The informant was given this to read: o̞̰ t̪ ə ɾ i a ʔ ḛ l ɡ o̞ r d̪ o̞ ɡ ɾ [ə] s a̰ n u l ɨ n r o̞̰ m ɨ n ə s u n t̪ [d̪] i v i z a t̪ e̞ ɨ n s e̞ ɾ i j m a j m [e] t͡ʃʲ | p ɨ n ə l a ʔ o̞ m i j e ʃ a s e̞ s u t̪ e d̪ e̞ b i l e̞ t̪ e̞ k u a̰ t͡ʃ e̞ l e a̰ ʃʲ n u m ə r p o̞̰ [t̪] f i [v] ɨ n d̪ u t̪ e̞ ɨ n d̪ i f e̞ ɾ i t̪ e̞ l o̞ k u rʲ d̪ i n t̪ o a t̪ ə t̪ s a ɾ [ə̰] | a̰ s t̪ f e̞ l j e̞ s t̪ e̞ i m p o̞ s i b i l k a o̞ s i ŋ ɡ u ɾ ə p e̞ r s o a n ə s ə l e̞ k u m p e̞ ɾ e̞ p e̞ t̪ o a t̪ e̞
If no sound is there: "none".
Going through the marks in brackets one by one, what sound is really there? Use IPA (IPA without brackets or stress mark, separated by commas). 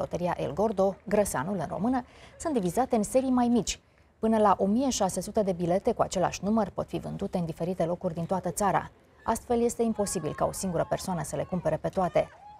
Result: ə, d̪, i, t̪, v, a̰